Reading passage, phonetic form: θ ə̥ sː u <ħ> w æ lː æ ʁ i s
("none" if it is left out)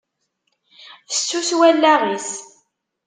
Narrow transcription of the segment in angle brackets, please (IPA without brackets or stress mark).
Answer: s